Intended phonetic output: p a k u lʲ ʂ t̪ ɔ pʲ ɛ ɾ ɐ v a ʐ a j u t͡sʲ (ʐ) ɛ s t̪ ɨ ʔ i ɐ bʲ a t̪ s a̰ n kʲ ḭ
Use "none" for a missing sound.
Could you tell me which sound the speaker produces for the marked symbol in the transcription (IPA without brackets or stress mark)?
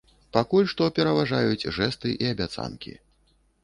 ʐ